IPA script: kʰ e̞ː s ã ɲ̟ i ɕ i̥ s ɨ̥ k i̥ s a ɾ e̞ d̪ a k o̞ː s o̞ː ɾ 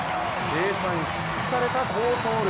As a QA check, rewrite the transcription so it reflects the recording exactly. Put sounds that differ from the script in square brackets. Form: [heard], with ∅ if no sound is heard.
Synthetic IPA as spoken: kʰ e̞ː s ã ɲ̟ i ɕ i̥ [t͡s] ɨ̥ k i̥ s a ɾ e̞ [t̪] a k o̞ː s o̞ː ɾ